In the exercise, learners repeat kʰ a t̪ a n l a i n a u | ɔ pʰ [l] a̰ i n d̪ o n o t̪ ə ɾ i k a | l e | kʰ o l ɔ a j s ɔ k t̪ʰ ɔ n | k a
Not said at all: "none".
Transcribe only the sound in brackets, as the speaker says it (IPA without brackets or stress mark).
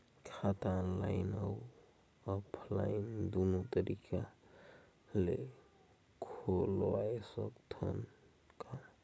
l